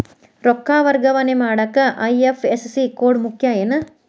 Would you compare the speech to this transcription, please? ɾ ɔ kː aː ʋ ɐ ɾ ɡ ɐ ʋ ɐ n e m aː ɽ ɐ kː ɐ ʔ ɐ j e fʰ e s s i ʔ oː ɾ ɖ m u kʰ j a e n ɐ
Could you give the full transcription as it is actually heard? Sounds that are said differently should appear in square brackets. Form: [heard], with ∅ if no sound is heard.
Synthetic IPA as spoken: ɾ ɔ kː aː ʋ ɐ ɾ ɡ ɐ ʋ ɐ n e m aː ɽ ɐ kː ɐ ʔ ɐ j e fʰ e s s i [k] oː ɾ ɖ m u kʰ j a e n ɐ